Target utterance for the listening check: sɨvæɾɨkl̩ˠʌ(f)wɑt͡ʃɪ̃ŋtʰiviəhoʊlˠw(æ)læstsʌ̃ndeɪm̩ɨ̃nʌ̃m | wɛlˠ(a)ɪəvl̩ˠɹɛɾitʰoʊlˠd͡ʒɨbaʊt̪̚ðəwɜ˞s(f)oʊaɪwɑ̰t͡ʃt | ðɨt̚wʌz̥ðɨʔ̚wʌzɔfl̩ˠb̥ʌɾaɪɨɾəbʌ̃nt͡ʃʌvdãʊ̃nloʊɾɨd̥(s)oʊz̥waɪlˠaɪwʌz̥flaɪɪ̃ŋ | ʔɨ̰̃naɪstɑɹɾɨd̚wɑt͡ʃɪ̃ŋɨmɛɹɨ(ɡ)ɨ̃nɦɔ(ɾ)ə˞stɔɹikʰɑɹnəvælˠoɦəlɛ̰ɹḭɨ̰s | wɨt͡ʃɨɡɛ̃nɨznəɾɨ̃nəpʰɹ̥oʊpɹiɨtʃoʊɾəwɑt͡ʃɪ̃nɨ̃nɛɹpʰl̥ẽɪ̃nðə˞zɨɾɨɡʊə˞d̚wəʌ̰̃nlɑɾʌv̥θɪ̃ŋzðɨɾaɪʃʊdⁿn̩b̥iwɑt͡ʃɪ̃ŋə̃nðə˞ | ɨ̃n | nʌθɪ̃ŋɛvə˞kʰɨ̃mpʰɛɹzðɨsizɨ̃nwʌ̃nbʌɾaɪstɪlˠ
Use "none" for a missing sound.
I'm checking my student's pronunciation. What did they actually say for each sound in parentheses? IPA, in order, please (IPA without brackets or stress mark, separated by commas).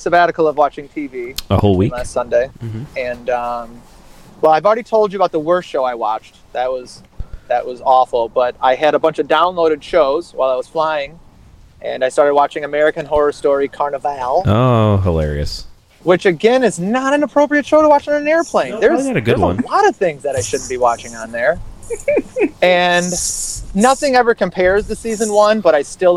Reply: v, i, a, ʃ, ʃ, k, ɹ